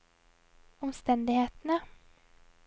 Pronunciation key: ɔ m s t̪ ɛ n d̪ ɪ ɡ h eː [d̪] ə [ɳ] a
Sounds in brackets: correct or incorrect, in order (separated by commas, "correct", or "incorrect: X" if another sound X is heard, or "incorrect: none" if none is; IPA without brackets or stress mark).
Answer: incorrect: t̪, incorrect: n